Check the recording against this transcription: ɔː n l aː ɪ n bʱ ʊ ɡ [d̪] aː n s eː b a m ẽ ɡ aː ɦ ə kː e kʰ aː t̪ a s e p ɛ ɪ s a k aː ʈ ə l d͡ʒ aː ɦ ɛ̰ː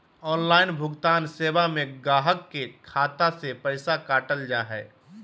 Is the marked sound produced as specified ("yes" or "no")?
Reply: no